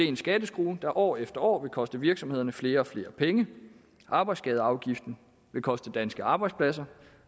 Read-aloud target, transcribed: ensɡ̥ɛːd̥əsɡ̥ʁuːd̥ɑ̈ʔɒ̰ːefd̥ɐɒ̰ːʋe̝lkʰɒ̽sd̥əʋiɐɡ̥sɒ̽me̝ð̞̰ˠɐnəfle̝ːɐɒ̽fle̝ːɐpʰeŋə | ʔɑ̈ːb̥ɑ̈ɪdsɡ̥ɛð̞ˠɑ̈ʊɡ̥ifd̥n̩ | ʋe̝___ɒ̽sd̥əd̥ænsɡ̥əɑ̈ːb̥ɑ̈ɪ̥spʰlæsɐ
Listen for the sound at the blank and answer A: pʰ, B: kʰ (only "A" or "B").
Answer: B